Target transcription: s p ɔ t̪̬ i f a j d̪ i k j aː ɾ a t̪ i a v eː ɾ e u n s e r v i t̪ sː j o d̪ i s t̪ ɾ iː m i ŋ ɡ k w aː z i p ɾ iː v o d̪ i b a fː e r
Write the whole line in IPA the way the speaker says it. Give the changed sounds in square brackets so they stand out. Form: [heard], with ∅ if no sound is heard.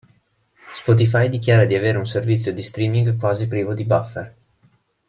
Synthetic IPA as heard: s p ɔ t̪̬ i f a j d̪ i k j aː ɾ a [d̪] i a v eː ɾ e u n s e r v i t̪ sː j o d̪ i s t̪ ɾ iː m i ŋ ɡ k w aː z i p ɾ iː v o d̪ i b a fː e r